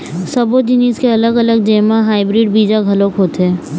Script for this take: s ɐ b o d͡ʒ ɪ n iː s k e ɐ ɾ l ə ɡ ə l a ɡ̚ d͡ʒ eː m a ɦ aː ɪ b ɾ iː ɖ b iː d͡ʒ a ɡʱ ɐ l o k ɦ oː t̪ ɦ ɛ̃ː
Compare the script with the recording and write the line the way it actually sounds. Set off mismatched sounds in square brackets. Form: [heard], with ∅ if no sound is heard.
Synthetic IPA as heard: s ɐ b o d͡ʒ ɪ n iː s k e ɐ [∅] l ə ɡ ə l [ə] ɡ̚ d͡ʒ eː m a ɦ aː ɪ b ɾ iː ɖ b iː d͡ʒ a ɡʱ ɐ l o k ɦ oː t̪ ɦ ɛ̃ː